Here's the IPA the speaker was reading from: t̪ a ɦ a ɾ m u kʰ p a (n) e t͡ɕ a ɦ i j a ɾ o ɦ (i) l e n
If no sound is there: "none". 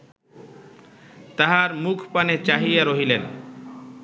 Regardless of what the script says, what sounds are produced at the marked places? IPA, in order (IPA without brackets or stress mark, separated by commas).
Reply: n, i